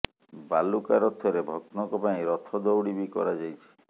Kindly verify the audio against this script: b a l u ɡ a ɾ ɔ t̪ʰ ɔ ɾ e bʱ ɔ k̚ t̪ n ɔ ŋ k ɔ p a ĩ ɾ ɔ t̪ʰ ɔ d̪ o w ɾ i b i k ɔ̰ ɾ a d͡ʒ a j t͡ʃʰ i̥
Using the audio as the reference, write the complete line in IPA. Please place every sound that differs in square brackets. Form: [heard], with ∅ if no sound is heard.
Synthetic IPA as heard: b a l u [k] a ɾ ɔ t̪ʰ ɔ ɾ e bʱ ɔ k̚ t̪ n ɔ ŋ k ɔ p a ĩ ɾ ɔ t̪ʰ ɔ d̪ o w [ɽ] i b i k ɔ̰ ɾ a d͡ʒ a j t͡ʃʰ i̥